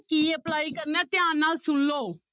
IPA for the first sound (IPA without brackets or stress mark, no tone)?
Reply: k